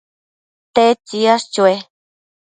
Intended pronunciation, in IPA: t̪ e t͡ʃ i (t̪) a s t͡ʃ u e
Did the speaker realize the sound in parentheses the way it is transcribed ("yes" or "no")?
no